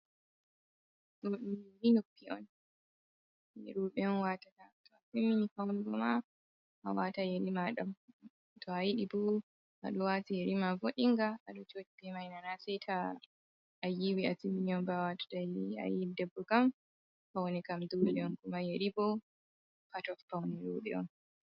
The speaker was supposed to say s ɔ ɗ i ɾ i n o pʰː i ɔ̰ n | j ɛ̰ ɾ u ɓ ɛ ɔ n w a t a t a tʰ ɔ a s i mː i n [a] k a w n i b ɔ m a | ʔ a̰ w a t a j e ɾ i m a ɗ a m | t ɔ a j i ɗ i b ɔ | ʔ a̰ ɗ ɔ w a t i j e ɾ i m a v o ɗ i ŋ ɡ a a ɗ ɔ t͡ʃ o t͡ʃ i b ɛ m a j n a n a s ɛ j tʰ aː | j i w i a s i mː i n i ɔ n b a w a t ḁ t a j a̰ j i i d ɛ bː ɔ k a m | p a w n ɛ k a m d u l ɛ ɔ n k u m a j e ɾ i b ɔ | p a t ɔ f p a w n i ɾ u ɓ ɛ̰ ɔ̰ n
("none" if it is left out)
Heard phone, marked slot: i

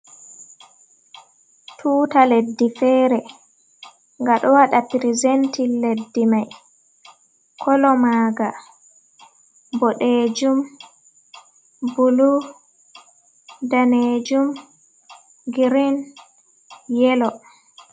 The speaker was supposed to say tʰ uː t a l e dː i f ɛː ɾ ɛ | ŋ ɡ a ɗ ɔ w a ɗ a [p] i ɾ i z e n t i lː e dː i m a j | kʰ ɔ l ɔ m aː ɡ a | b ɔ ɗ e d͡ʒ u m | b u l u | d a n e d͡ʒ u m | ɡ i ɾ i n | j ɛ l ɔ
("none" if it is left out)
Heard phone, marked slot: p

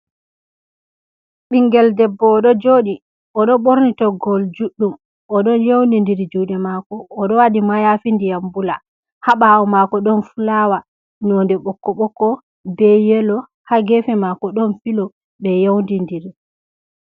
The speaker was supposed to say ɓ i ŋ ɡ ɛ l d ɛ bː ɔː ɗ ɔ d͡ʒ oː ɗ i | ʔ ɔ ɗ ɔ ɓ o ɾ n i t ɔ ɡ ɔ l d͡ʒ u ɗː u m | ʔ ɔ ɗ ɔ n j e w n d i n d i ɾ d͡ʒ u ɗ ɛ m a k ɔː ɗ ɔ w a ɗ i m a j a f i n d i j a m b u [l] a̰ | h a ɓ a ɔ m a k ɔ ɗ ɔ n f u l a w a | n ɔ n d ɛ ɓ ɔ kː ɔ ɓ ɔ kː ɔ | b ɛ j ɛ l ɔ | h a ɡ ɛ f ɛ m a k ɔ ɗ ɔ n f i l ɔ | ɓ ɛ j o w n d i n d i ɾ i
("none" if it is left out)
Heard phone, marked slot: l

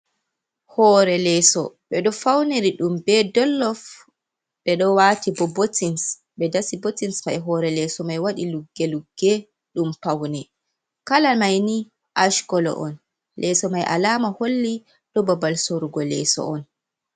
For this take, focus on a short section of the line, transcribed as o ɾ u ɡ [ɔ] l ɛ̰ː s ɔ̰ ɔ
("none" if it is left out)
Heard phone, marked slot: ɔ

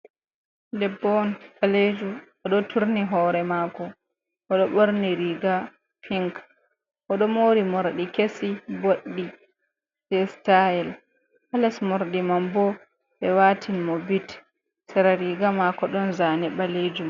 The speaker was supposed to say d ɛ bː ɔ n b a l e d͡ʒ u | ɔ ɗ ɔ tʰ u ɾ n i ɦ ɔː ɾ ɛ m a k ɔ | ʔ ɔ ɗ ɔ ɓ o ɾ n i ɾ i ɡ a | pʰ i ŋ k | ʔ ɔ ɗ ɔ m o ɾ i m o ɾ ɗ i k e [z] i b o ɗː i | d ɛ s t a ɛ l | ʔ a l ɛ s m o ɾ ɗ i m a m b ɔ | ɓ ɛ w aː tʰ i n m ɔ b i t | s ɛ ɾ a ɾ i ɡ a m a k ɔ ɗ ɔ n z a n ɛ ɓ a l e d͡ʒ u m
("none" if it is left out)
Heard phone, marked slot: s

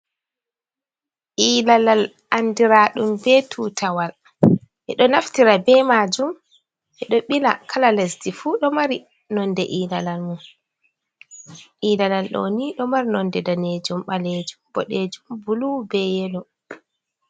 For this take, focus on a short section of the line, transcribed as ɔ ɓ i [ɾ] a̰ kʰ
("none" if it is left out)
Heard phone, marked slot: l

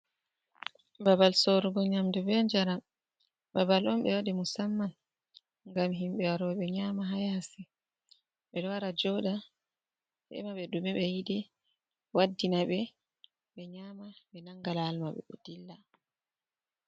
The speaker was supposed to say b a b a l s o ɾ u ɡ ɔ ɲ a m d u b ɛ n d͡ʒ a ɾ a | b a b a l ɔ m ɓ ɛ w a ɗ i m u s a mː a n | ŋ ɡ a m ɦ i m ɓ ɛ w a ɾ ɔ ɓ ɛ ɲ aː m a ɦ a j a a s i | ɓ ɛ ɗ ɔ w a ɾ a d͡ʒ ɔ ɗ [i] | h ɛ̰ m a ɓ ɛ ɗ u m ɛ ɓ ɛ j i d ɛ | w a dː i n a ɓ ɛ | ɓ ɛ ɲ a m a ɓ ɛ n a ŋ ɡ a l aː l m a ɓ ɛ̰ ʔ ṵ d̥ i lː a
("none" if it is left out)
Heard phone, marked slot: a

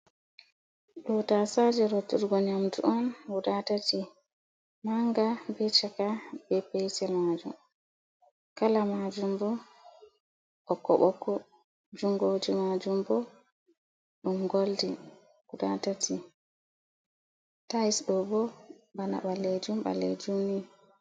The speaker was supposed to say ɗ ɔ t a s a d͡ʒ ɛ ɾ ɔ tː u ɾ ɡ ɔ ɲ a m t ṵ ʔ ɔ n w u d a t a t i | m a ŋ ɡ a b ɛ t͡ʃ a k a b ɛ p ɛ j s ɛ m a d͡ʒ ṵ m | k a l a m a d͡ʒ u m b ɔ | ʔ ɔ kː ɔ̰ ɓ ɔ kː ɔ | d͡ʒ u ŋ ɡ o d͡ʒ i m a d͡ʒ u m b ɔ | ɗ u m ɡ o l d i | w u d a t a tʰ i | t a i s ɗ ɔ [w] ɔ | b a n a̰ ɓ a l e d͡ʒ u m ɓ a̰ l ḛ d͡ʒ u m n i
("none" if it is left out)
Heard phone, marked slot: b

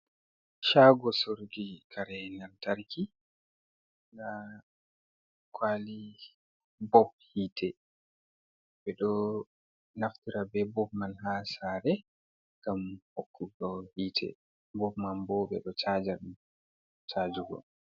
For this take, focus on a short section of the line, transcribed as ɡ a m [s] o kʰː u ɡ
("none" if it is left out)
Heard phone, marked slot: h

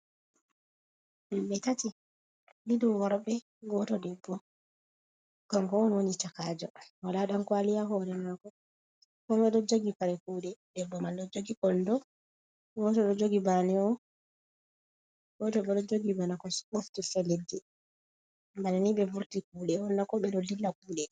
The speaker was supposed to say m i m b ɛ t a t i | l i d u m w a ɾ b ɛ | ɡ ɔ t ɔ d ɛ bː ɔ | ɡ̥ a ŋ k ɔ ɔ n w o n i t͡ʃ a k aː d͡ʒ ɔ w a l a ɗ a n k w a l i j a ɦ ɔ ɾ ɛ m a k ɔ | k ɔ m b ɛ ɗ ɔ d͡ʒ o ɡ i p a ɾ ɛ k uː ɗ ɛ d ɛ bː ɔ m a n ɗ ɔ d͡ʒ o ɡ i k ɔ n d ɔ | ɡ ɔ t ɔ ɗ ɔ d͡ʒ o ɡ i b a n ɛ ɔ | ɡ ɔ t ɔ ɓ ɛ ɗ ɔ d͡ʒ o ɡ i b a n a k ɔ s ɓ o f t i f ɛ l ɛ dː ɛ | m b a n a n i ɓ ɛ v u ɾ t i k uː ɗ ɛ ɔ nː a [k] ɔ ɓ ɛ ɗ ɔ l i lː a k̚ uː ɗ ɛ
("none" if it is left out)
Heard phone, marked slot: k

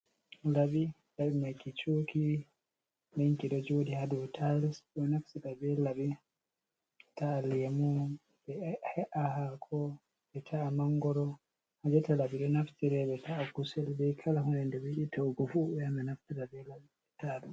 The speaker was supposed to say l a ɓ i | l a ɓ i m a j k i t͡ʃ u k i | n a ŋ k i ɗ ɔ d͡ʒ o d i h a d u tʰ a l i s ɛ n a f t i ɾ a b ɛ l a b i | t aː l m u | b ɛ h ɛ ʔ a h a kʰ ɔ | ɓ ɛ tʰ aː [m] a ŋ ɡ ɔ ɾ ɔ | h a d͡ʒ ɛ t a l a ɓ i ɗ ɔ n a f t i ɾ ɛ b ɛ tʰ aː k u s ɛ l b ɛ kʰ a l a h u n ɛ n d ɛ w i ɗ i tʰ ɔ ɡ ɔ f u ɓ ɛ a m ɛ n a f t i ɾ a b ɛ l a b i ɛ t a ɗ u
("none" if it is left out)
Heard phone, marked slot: m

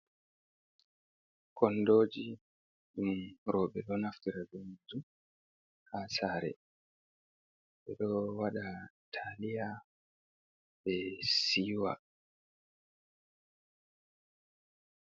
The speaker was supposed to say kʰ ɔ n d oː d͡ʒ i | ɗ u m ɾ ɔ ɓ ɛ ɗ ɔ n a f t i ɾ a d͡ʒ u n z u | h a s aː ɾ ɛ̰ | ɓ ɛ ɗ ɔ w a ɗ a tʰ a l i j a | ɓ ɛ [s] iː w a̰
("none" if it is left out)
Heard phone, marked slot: s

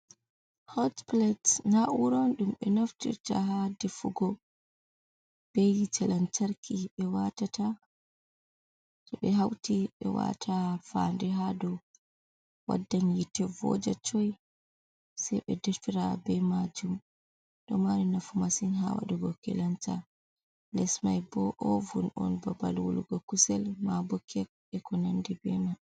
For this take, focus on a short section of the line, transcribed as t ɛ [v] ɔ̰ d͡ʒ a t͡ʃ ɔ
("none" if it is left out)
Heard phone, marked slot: v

